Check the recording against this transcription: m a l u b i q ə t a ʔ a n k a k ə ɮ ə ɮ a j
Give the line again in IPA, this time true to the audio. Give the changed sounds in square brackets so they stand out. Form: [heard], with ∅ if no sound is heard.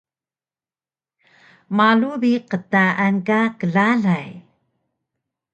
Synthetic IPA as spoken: m a l u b i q ə t a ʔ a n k a k ə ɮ [a] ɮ a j